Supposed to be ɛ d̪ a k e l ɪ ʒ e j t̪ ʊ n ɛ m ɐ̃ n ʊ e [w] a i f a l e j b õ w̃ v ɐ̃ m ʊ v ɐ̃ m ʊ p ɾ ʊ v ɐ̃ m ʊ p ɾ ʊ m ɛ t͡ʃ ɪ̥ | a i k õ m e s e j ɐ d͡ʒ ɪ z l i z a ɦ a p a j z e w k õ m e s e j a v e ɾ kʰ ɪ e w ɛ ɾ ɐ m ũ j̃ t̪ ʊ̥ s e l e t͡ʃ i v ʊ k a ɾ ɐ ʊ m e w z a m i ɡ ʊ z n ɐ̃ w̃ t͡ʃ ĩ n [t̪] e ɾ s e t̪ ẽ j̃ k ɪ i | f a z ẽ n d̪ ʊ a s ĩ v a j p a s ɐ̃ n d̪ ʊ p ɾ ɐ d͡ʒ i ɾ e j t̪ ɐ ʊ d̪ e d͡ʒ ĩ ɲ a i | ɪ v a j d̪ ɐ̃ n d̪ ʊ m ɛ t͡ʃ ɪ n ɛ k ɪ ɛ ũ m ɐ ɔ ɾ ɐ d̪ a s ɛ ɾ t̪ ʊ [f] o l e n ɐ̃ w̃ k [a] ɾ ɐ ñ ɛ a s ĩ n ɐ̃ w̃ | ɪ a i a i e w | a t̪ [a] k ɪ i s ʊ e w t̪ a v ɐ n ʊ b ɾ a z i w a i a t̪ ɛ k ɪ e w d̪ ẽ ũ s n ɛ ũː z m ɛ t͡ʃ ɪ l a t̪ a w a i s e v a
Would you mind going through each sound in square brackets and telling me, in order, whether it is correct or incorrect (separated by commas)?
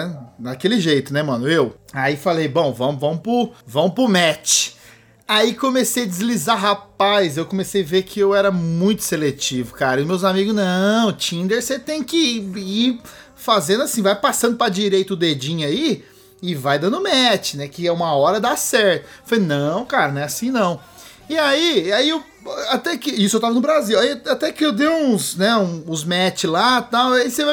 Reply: correct, incorrect, correct, correct, incorrect